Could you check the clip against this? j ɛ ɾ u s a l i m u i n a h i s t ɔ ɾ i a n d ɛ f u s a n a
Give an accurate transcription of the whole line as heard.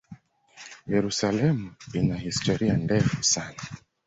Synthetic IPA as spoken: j ɛ ɾ u s a l ɛ m u i n a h i s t ɔ ɾ i a n d ɛ f u s a n a

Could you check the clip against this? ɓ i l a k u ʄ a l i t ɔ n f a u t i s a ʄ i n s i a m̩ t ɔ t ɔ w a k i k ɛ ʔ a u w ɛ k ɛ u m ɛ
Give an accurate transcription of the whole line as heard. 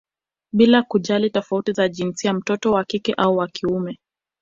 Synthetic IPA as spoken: ɓ i l a k u ʄ a l i t ɔ f a u t i z a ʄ i n s i a m̩ t ɔ t ɔ w a k i k ɛ ʔ a u w a k i u m ɛ

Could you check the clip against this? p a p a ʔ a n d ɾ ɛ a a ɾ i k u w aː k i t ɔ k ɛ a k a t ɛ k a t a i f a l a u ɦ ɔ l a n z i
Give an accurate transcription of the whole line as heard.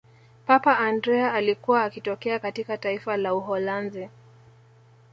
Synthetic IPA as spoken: p a p a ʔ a n d ɾ ɛ a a l i k u w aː k i t ɔ k ɛ a k a t i k a t a i f a l a u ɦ ɔ l a n z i

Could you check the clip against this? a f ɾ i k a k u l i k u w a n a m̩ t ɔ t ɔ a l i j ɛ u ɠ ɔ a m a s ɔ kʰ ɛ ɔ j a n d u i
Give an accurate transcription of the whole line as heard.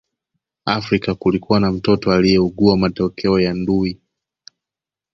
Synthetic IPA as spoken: a f ɾ i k a k u l i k u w a n a m̩ t ɔ t ɔ a l i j ɛ u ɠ u a m a t ɔ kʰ ɛ ɔ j a n d u i

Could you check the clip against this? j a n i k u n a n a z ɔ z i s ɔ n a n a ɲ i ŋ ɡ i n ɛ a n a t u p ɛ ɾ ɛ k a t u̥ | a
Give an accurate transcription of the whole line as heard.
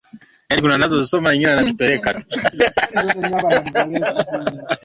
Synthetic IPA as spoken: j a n i k u n a n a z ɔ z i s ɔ m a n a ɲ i ŋ ɡ i n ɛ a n a t u p ɛ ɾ ɛ k a t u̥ | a

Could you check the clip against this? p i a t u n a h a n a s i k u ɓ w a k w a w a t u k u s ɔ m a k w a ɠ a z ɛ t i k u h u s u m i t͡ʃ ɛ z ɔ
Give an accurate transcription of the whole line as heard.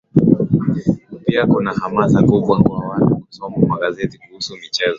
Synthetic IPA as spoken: p i a k u n a h a m a s a k u ɓ w a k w a w a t u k u s ɔ m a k w a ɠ a z ɛ t i k u h u s u m i t͡ʃ ɛ z ɔ

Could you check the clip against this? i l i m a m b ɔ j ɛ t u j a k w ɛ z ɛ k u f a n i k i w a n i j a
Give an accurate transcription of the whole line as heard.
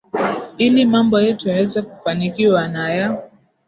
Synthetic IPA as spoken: i l i m a m b ɔ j ɛ t u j a w ɛ z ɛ k u f a n i k i w a n a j a

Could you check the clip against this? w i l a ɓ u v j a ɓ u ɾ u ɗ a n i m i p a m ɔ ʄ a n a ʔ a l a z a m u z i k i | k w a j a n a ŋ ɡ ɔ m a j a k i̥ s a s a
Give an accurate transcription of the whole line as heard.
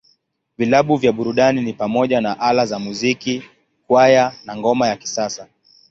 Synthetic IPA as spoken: v i l a ɓ u v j a ɓ u ɾ u ɗ a n i n i p a m ɔ ʄ a n a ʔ a l a z a m u z i k i | k w a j a n a ŋ ɡ ɔ m a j a k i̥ s a s a

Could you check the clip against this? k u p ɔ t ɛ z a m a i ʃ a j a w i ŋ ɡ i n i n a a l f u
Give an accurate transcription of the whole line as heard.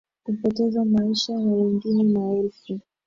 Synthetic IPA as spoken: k u p ɔ t ɛ z a m a i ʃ a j a w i ŋ ɡ i n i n a ɛ l f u

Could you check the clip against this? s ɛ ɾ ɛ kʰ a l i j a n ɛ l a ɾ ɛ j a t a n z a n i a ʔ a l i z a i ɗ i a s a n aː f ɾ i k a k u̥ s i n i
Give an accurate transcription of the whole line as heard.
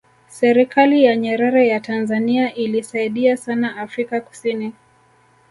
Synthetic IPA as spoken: s ɛ ɾ i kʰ a l i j a ɲ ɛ ɾ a ɾ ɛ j a t a n z a n i a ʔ i l i s a i ɗ i a s a n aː f ɾ i k a k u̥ s i n i

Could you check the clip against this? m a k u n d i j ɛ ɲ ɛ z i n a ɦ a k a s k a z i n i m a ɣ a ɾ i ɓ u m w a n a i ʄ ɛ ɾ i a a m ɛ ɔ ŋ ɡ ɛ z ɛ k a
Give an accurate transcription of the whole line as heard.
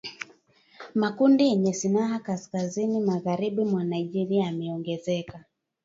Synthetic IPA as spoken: m a k u n d i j ɛ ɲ ɛ s i n a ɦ a k a s k a z i n i m a ɣ a ɾ i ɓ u m w a n a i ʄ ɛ ɾ i a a m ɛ ɔ ŋ ɡ ɛ z ɛ k a

